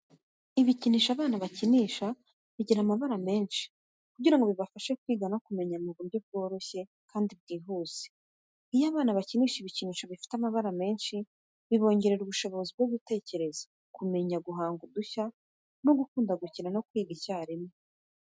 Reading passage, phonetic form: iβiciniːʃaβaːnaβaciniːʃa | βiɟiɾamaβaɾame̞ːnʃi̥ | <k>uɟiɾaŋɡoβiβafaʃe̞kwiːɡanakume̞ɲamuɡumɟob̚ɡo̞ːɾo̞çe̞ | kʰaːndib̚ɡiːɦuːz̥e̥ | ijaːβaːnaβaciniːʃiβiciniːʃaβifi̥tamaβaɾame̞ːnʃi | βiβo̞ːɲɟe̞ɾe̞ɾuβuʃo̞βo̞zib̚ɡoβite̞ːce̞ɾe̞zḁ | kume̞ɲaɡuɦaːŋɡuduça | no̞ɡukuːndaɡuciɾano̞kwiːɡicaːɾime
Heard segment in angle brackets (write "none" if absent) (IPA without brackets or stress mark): k